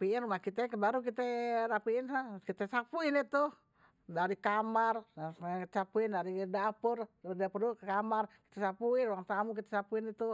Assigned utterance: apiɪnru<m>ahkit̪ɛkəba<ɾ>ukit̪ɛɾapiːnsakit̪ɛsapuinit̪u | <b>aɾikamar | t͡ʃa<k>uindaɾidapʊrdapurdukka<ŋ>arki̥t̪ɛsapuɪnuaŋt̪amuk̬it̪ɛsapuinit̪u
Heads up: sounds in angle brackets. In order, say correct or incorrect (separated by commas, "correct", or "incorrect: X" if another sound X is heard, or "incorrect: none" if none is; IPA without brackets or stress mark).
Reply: correct, correct, incorrect: d, incorrect: p, incorrect: m